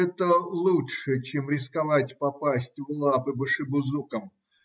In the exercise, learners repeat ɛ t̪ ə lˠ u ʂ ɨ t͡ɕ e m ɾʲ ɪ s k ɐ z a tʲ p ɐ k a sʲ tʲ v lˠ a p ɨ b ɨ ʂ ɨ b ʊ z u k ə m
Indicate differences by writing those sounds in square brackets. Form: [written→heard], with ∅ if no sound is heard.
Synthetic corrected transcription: ɛ t̪ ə lˠ u ʂ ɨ t͡ɕ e m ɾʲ ɪ s k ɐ [z→v] a tʲ p ɐ [k→p] a sʲ tʲ v lˠ a p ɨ b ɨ ʂ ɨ b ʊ z u k ə m

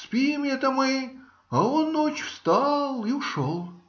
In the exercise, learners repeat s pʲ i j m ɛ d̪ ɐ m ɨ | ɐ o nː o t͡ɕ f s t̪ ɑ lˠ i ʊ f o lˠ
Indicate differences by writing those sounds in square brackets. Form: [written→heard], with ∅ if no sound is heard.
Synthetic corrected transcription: s pʲ i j m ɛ [d̪→t̪] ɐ m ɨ | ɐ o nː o t͡ɕ f s t̪ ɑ lˠ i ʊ [f→ʂ] o lˠ

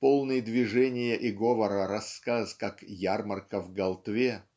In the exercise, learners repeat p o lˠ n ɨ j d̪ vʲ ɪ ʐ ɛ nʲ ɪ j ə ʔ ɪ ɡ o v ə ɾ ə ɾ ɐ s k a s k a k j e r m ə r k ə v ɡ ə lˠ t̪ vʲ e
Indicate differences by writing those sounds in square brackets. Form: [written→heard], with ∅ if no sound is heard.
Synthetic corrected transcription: p o lˠ n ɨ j d̪ vʲ ɪ ʐ ɛ nʲ ɪ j ə ʔ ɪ ɡ o v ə ɾ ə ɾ ɐ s k a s k a k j [e→a] r m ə r k ə v ɡ [ə→ɐ] lˠ t̪ vʲ e

